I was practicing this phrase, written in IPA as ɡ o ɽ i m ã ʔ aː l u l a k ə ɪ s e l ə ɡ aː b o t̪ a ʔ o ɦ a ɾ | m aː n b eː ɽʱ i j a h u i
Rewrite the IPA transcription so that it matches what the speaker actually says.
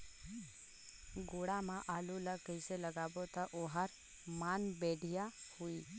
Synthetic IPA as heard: ɡ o ɽ a m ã ʔ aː l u l a k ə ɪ s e l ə ɡ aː b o t̪ a ʔ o ɦ a ɾ | m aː n b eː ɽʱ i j a h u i